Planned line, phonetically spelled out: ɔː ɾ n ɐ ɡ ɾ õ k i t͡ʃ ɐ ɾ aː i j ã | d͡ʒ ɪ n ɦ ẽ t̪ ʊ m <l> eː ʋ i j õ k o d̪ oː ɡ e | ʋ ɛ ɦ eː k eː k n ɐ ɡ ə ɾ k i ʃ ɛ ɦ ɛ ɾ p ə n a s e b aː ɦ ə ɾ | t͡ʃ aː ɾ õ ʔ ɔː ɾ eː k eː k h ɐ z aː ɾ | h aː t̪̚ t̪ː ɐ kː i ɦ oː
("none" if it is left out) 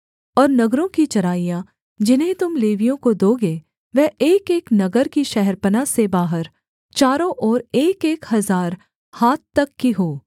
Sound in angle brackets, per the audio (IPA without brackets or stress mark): l